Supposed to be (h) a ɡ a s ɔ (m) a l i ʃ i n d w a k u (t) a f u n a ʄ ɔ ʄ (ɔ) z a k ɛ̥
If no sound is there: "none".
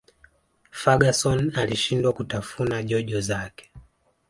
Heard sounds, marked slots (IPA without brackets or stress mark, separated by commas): f, n, t, ɔ